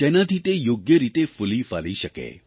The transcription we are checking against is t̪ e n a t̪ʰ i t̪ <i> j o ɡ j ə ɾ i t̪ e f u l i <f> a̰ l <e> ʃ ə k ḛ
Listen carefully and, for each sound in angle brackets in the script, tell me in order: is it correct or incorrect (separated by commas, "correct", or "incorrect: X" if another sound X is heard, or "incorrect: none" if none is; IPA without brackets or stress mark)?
incorrect: e, correct, incorrect: i